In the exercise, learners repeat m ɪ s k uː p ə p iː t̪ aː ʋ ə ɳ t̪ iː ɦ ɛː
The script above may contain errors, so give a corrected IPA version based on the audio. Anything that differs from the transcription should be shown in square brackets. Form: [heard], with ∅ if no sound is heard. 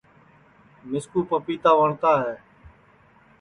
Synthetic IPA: m ɪ s k uː p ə p iː t̪ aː ʋ ə ɳ t̪ [aː] ɦ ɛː